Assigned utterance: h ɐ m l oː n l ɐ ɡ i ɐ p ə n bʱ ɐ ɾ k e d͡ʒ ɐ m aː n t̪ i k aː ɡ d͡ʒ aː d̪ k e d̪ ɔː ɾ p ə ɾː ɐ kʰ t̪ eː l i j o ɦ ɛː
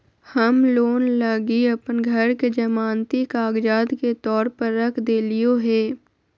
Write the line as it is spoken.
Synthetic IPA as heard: h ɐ m l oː n l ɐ ɡ i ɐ p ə n ɡʱ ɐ ɾ k e d͡ʒ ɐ m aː n t̪ i k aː ɡ d͡ʒ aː d̪ k e t̪ ɔː ɾ p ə ɾː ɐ kʰ d̪ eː l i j o ɦ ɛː

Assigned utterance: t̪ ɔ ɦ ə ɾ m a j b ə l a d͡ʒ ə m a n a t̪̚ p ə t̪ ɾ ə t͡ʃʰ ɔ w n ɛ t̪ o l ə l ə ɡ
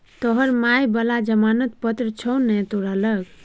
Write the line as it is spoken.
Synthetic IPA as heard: t̪ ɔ ɦ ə ɾ m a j b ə l a d͡ʒ ə m a n ə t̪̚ p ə t̪ ɾ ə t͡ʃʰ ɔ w n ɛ t̪ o ɾ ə l ə ɡ

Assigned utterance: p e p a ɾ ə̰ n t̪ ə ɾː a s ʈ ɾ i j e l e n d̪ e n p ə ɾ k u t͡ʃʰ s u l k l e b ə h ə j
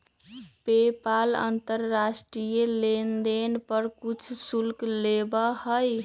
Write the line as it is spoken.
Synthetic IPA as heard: p e p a l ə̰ n t̪ ə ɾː a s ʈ ɾ i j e l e n d̪ e n p ə ɾ k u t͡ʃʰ s u l k l e b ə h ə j

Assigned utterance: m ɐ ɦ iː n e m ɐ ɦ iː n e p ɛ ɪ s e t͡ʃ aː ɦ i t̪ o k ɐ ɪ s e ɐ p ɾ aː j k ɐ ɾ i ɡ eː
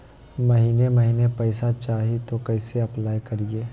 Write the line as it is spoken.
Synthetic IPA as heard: m ɐ ɦ iː n e m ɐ ɦ iː n e p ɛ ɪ s a t͡ʃ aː ɦ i t̪ o k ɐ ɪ s e ɐ p l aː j k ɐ ɾ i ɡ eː

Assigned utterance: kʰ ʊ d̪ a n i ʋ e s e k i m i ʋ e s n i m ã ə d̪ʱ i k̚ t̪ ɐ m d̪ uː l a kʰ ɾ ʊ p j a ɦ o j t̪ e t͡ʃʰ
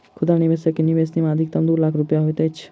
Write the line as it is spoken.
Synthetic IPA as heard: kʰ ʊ d̪ a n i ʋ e s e k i n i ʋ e s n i m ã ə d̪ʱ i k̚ t̪ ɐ m d̪ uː l a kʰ ɾ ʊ p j a ɦ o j t̪ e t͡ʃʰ

